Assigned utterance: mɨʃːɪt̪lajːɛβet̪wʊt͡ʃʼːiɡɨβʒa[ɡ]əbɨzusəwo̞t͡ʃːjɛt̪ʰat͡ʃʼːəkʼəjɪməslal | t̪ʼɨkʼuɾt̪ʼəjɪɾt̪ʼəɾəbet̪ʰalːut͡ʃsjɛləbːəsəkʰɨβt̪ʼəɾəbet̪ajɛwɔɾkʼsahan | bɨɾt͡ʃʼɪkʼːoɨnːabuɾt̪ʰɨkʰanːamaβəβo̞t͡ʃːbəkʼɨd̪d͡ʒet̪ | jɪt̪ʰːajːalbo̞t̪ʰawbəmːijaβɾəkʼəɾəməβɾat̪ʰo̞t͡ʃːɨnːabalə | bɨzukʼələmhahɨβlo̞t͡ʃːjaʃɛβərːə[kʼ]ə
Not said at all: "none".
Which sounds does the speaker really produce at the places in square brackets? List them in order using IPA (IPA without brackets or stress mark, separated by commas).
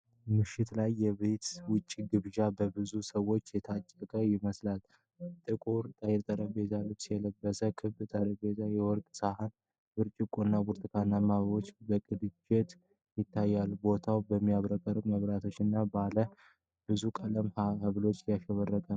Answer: b, kʼ